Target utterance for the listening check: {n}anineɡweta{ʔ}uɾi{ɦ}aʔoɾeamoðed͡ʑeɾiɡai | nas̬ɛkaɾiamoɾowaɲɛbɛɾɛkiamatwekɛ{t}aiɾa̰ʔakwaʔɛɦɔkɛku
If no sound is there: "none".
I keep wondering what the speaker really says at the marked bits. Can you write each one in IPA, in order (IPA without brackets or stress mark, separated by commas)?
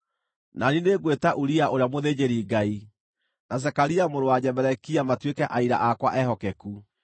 n, ʔ, none, ʔ